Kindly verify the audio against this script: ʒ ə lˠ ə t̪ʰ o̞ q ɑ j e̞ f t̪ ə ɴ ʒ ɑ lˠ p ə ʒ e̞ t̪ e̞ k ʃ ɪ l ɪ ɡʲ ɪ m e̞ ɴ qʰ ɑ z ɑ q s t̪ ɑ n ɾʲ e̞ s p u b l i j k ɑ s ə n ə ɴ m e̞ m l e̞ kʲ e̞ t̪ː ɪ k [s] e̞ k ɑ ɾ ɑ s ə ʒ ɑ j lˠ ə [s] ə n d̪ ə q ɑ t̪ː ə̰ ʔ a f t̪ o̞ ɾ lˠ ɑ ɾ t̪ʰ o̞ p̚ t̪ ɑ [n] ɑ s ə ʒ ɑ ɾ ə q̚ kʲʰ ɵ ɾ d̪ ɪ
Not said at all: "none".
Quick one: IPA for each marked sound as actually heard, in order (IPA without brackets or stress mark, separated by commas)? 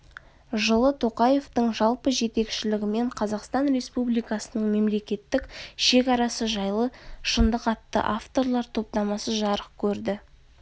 ʃ, ʃ, m